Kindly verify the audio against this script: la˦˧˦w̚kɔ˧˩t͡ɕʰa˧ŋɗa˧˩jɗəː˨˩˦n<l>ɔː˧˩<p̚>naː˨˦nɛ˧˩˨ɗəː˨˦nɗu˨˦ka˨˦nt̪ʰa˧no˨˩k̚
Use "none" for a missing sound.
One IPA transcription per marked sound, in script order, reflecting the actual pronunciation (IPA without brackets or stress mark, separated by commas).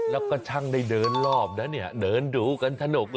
l, p̚